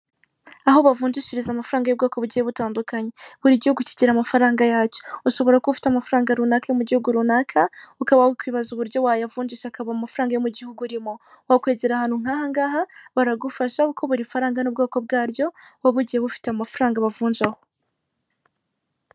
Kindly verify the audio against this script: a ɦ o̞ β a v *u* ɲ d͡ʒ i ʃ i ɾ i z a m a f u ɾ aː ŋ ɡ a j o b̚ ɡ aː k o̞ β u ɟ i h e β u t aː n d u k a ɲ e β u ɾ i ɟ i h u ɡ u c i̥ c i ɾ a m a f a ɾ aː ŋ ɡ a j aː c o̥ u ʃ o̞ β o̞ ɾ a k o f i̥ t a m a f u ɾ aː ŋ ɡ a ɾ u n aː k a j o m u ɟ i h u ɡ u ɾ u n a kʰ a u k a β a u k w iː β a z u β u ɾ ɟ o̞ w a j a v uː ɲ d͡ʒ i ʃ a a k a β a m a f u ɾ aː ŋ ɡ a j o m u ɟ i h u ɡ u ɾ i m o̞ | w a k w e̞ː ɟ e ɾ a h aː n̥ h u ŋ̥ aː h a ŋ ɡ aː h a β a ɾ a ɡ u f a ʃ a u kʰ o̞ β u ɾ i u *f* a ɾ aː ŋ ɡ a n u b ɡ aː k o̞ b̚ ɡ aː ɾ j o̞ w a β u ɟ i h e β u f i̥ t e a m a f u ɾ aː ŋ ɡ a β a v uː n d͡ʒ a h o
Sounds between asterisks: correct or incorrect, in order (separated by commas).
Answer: incorrect, correct